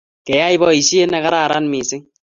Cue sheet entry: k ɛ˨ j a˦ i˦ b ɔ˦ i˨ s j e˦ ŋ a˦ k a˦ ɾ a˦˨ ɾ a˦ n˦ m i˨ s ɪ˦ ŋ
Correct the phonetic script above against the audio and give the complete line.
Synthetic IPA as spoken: k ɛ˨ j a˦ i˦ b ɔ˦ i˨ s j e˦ n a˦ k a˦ ɾ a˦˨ ɾ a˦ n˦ m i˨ s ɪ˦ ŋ